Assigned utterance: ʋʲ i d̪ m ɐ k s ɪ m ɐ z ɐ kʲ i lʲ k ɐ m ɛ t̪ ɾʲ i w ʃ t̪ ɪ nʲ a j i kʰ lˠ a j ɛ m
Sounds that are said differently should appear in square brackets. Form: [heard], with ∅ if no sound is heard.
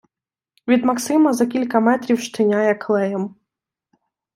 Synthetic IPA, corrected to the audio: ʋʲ i d̪ m ɐ k s ɪ m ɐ z ɐ kʲ i lʲ k ɐ m ɛ t̪ ɾʲ i w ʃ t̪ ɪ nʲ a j [ɛ] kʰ lˠ [ɛ] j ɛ m